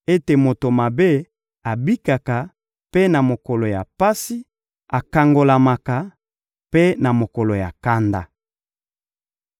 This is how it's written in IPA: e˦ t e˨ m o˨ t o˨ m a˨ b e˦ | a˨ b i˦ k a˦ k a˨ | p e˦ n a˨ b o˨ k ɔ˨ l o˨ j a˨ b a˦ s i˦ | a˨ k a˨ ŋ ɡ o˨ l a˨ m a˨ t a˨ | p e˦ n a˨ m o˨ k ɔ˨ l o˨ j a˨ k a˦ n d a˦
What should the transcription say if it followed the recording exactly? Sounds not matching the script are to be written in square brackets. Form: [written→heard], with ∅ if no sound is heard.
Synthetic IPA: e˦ t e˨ m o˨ t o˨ m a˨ b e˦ | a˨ b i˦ k [a˦→a˨] k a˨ | p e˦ n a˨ [b→m] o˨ k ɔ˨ l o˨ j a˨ [b→p] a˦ s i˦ | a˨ k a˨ ŋ ɡ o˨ l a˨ m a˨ [t→k] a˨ | p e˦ n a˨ m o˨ k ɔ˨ l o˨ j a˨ k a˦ n d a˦